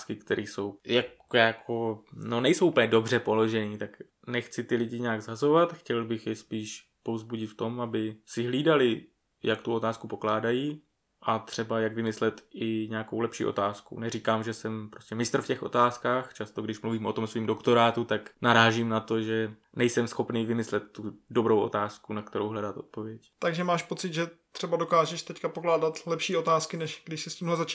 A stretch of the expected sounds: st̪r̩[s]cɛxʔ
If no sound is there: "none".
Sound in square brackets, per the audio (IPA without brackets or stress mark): f